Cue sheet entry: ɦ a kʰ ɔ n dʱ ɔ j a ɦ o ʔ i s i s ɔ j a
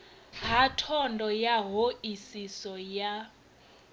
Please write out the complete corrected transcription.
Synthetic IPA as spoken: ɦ a tʰ ɔ n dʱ ɔ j a ɦ o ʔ i s i s ɔ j a